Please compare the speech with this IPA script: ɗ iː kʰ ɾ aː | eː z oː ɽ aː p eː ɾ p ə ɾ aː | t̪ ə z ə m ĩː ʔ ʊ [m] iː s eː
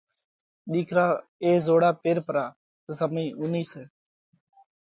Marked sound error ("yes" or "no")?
yes